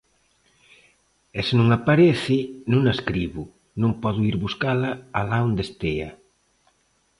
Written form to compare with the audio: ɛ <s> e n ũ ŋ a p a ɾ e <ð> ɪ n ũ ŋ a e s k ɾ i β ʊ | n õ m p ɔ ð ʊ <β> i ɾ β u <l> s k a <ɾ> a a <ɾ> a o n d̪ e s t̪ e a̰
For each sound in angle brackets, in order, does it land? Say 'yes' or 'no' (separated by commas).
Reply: yes, no, no, no, no, no